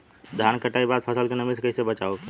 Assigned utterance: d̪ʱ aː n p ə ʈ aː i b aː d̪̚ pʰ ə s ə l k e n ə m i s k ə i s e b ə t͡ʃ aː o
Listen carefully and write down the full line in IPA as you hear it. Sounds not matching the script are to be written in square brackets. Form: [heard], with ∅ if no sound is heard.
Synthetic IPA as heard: d̪ʱ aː n [k] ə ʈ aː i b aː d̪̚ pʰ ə s ə l k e n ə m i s k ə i s e b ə t͡ʃ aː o